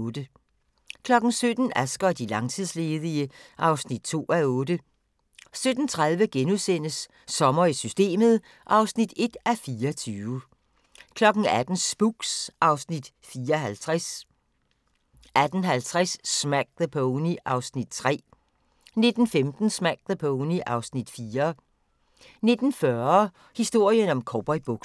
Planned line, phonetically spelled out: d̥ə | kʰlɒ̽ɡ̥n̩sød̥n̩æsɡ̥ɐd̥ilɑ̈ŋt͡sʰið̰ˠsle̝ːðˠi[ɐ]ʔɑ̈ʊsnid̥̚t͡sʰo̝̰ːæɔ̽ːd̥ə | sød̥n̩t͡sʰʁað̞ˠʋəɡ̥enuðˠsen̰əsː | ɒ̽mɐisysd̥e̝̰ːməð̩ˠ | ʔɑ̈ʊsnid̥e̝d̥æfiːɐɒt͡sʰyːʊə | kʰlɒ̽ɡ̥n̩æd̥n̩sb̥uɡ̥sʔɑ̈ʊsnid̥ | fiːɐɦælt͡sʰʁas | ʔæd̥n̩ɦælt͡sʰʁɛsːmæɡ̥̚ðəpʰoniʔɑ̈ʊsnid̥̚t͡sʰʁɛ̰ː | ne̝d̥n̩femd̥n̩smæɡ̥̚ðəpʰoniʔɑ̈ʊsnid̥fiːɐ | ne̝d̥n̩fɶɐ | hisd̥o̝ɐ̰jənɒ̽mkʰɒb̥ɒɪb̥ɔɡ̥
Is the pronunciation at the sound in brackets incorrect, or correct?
incorrect